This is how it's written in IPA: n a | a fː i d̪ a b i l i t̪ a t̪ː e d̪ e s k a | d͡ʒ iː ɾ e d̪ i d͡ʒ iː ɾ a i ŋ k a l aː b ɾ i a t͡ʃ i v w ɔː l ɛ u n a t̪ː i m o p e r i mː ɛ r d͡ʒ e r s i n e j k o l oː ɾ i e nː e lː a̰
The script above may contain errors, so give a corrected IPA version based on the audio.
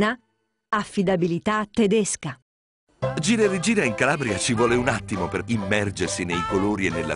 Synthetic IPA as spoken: n a | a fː i d̪ a b i l i t̪ a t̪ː e d̪ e s k a | d͡ʒ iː ɾ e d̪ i d͡ʒ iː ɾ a i ŋ k a l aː b ɾ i a t͡ʃ i v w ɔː l e u n a t̪ː i m o p e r i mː ɛ r d͡ʒ e r s i n e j k o l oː ɾ i e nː e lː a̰